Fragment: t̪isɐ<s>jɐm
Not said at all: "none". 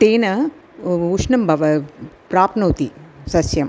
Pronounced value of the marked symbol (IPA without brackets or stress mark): s